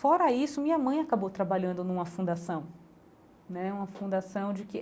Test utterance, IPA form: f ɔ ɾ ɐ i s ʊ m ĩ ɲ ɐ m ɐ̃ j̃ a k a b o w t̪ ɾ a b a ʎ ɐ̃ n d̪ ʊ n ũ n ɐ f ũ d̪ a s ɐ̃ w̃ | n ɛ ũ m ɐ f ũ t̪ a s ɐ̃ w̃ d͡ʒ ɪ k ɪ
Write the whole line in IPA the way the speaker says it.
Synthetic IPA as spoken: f ɔ ɾ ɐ i s ʊ m ĩ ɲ ɐ m ɐ̃ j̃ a k a b o w t̪ ɾ a b a ʎ ɐ̃ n d̪ ʊ n ũ m ɐ f ũ d̪ a s ɐ̃ w̃ | n ɛ ũ m ɐ f ũ d̪ a s ɐ̃ w̃ d͡ʒ ɪ k ɪ